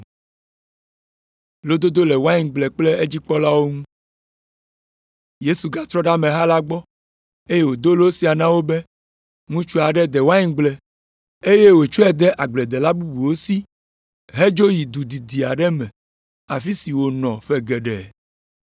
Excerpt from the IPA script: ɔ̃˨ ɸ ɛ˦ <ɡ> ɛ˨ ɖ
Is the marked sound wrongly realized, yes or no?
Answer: no